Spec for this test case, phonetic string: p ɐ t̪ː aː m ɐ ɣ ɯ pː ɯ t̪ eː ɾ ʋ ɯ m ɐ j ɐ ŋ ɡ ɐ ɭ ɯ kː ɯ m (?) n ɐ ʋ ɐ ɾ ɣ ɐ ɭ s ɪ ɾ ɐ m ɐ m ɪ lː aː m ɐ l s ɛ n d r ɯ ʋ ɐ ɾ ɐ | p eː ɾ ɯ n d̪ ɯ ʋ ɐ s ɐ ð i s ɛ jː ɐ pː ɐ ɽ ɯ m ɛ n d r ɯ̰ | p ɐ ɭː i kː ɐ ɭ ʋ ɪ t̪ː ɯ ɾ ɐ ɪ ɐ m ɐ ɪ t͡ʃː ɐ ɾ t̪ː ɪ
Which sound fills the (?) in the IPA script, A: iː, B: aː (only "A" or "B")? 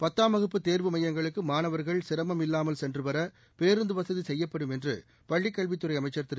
B